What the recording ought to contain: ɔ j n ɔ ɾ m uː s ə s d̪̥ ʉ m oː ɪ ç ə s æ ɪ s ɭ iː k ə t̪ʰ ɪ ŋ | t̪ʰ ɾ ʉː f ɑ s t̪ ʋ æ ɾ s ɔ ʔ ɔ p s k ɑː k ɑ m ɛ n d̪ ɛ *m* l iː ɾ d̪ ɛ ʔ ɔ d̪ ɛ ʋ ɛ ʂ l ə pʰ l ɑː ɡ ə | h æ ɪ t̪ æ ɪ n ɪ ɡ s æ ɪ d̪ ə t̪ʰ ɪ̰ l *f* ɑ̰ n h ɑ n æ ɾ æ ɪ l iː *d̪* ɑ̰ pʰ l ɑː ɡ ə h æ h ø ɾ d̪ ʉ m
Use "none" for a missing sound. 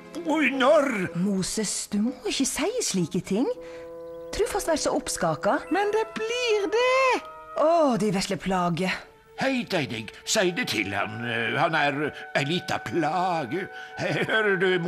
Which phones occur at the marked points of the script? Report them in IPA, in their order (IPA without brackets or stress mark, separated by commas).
b, h, t̪